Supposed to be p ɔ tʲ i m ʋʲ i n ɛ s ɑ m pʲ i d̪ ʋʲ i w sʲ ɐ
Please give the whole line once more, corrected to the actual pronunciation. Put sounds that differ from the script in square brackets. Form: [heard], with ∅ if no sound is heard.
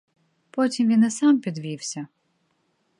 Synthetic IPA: p ɔ tʲ i m ʋʲ i n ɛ s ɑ m pʲ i d̪ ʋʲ i w sʲ ɐ